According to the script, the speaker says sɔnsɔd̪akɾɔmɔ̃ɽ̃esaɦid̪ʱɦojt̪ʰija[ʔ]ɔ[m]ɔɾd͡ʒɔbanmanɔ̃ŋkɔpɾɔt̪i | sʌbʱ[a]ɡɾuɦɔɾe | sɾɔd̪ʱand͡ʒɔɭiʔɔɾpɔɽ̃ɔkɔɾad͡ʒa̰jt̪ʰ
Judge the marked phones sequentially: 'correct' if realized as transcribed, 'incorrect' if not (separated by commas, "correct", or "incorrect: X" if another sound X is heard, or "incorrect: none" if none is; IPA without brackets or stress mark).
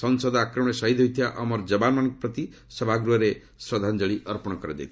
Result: correct, correct, correct